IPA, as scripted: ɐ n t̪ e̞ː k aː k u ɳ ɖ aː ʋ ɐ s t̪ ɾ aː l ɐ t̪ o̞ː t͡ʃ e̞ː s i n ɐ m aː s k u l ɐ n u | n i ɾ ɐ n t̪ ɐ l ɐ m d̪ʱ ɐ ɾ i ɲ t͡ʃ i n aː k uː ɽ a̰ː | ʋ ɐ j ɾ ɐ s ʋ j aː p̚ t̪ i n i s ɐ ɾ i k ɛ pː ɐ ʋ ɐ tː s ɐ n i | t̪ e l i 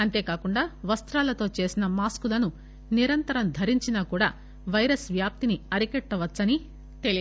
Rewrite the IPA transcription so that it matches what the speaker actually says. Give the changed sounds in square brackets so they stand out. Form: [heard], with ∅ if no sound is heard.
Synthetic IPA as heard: ɐ n t̪ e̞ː k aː k u ɳ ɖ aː ʋ ɐ s t̪ ɾ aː l ɐ t̪ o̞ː t͡ʃ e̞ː s i n ɐ m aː s k u l ɐ n u | n i ɾ ɐ n t̪ ɐ [ɾ] ɐ m d̪ʱ ɐ ɾ i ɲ t͡ʃ i n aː k uː ɽ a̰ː | ʋ ɐ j ɾ ɐ s ʋ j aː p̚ t̪ i n i [∅] ɐ ɾ i k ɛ [ʈː] ɐ ʋ ɐ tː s ɐ n i | t̪ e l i